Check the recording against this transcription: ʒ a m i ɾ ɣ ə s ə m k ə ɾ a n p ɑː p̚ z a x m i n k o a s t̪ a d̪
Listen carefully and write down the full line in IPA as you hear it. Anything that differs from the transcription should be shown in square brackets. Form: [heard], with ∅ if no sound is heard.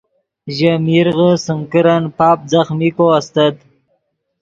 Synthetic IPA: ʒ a m i ɾ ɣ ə s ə [ŋ] k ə ɾ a n p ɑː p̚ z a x m i [∅] k o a s t̪ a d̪